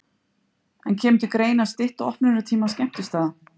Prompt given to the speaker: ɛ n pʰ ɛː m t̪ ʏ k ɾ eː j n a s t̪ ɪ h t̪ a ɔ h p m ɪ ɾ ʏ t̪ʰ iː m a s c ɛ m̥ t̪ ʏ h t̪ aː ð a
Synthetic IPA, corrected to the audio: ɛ n cʰ ɛː m t̪ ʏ k ɾ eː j n a s t̪ ɪ h t̪ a ɔ h p n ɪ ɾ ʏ t̪ʰ iː m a s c ɛ m̥ t̪ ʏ s t̪ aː ð a